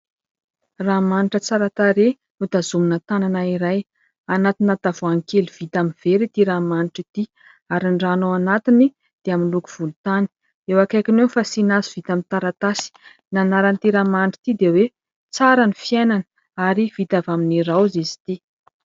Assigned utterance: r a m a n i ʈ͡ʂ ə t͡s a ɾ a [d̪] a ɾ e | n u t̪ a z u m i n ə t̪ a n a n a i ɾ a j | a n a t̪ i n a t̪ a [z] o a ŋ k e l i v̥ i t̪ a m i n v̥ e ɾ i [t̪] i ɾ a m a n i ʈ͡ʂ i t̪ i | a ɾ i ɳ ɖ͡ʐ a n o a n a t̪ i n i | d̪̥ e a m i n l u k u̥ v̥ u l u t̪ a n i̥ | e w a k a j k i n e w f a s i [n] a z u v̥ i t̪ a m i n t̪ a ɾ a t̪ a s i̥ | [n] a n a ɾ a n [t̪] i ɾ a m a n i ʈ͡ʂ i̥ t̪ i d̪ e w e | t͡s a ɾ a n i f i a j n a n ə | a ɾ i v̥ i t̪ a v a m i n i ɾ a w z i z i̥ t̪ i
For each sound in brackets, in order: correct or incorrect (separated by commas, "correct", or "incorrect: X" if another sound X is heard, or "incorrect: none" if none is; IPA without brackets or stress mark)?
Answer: incorrect: t̪, incorrect: v, correct, correct, correct, correct